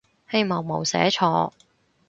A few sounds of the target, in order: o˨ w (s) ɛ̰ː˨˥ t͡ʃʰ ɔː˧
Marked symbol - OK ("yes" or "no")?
yes